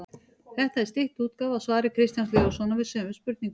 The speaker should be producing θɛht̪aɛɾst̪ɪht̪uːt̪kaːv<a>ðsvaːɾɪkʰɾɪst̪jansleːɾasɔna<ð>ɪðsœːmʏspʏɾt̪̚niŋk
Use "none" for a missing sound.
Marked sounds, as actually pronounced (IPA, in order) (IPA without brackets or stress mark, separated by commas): a, v